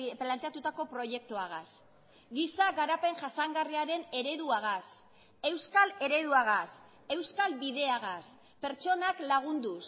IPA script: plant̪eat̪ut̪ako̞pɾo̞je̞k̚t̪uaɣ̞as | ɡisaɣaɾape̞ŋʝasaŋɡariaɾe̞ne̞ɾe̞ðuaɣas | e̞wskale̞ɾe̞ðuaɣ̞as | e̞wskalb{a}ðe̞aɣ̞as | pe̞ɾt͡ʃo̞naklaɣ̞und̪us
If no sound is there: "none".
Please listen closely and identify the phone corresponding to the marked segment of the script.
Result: i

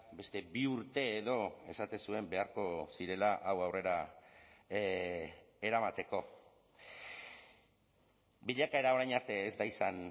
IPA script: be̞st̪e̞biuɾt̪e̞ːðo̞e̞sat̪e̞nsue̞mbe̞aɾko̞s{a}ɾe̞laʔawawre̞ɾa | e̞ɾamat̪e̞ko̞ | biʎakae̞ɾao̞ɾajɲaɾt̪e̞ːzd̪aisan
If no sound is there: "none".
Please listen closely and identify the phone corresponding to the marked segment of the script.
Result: i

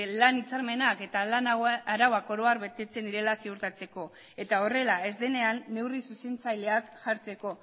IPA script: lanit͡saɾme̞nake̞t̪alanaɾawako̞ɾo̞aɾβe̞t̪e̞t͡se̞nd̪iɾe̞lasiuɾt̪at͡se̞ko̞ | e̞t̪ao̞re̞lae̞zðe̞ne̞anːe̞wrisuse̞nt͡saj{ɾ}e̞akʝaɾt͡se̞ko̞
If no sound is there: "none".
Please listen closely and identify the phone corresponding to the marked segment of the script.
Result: l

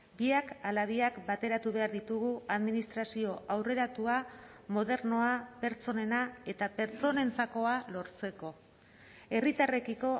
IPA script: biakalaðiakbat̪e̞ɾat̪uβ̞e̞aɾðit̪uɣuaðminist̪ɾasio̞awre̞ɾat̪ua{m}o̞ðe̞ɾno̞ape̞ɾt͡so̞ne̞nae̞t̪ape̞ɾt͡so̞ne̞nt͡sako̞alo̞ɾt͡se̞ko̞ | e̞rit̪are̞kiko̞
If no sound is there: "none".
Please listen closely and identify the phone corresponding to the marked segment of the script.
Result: m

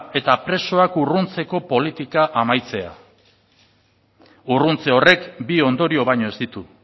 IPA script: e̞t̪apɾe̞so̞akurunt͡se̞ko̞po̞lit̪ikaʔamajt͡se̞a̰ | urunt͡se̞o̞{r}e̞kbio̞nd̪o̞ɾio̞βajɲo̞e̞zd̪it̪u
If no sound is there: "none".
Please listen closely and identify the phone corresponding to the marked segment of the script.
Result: r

